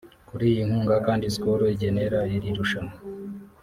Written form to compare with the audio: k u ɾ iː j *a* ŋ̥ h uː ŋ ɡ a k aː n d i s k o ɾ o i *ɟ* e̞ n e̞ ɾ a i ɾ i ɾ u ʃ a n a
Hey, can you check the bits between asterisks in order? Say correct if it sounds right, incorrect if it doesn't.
incorrect: i, correct

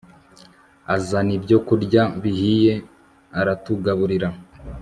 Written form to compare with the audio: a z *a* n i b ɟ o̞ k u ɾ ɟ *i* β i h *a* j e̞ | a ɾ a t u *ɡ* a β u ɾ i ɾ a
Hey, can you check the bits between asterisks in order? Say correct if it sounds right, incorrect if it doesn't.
correct, incorrect: a, incorrect: i, correct

